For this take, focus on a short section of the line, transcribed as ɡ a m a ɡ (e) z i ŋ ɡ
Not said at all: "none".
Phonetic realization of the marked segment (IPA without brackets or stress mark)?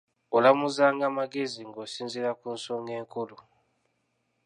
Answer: e